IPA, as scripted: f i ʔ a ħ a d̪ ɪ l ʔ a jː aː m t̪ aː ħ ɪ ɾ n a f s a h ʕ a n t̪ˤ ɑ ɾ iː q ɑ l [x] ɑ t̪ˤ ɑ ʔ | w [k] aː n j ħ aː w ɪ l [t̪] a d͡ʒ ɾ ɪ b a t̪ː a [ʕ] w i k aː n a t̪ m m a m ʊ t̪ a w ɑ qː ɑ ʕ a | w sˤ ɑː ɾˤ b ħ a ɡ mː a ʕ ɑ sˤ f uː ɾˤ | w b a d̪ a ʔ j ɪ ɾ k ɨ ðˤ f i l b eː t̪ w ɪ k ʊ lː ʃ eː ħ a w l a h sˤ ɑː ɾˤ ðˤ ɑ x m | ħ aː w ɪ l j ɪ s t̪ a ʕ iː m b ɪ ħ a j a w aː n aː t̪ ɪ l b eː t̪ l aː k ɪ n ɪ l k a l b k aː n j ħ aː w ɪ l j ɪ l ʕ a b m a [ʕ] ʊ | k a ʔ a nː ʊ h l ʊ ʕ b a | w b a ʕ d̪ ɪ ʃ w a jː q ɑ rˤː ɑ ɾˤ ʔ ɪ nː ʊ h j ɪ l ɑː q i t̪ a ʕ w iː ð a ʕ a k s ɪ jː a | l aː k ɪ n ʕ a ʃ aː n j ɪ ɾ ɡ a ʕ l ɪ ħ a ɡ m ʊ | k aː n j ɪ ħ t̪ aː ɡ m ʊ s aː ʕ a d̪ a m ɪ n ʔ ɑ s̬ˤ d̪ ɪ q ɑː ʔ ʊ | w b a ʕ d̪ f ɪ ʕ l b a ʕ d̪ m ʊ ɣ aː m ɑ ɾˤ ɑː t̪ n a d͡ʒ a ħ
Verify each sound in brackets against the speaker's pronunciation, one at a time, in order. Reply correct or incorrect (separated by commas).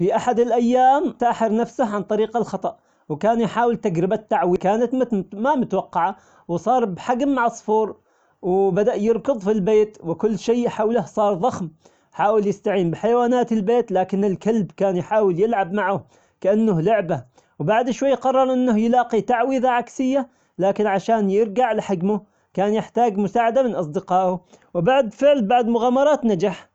correct, correct, correct, correct, correct